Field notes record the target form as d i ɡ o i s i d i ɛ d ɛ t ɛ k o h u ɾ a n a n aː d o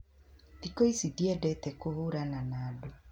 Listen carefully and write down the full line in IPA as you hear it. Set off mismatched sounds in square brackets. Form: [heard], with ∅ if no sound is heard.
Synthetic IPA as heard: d i [k] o i s i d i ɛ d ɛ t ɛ k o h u ɾ a n a n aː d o